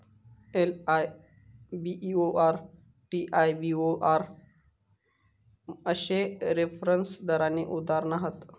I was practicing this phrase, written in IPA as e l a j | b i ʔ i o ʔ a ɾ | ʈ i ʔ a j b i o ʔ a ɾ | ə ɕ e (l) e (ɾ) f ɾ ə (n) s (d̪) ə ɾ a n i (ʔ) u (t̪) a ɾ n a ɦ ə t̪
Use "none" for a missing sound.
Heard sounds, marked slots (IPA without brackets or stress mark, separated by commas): ɾ, none, n, d̪, ʔ, d̪